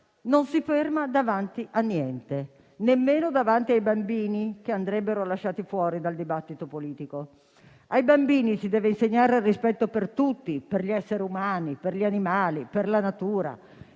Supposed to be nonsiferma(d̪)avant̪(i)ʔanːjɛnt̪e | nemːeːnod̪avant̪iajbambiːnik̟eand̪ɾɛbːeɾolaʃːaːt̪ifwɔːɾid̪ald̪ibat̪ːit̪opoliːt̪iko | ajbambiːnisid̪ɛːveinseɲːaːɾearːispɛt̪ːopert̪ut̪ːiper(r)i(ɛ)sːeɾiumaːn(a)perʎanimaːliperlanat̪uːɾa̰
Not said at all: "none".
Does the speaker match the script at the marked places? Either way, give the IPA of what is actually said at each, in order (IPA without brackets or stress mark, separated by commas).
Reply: d̪, i, ʎ, ɛ, i